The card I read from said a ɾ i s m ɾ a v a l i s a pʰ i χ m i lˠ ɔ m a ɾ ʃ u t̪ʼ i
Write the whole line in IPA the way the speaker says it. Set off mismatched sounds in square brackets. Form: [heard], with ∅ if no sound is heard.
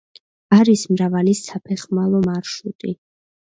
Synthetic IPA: a ɾ i s m ɾ a v a l i s a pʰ [ɛ] χ m [a] lˠ ɔ m a ɾ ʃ u t̪ʼ i